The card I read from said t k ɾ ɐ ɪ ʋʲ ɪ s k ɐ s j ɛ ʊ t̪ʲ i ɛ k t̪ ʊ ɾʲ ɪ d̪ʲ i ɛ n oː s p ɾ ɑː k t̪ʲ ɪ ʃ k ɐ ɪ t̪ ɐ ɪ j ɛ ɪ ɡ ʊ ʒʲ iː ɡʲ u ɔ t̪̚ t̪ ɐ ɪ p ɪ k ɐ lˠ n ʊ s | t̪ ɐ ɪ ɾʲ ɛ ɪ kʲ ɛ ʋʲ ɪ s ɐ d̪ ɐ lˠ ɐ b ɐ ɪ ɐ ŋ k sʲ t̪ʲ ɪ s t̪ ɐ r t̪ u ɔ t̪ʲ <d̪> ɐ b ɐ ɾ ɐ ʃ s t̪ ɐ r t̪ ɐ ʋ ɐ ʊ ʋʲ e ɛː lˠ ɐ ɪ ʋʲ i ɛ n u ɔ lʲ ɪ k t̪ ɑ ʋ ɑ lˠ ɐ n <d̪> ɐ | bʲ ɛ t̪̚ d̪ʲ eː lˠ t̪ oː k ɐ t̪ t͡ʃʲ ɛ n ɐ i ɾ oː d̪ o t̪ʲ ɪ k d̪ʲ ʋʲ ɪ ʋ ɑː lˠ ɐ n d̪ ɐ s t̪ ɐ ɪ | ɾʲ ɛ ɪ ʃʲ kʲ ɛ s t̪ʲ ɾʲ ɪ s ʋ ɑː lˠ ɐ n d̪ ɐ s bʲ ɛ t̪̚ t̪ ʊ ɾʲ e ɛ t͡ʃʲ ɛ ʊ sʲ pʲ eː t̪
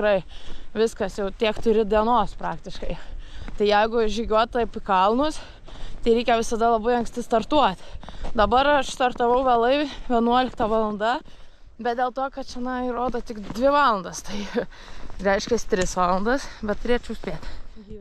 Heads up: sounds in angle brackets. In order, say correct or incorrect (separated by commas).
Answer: correct, correct